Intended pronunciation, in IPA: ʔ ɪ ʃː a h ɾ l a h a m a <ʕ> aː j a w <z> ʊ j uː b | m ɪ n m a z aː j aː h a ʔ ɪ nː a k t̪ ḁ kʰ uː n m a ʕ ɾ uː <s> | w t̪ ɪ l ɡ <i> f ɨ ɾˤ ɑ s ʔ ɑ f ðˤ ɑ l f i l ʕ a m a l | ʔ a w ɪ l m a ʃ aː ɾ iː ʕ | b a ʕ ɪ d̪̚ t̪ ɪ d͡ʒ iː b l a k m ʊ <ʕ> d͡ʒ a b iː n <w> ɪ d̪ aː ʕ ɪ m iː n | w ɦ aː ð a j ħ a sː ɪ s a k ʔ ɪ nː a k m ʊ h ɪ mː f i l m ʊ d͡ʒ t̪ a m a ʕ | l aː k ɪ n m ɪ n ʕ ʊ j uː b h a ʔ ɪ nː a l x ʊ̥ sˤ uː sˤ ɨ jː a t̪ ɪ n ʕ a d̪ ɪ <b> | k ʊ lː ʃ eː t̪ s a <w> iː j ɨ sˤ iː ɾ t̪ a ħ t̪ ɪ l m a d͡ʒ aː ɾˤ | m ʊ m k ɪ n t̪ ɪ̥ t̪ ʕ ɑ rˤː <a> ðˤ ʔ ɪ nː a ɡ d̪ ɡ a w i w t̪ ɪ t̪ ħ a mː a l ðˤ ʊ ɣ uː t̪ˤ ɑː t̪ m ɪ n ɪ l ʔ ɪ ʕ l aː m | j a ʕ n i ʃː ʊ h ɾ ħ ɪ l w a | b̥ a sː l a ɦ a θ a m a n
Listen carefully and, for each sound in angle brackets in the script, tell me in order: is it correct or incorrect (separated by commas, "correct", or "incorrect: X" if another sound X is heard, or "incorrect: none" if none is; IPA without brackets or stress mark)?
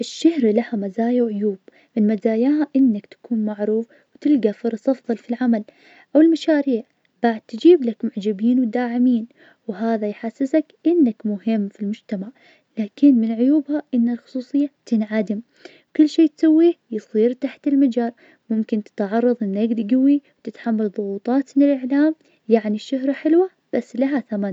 incorrect: z, incorrect: ʕ, incorrect: f, incorrect: a, correct, correct, incorrect: m, incorrect: wː, incorrect: ɑ